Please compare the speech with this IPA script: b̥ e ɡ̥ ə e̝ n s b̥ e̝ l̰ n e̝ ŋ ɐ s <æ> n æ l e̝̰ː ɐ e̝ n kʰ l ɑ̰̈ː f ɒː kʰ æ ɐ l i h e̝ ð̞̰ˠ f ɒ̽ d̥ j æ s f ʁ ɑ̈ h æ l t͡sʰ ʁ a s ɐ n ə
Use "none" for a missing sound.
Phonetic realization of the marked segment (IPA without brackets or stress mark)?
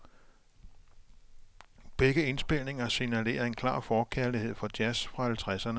i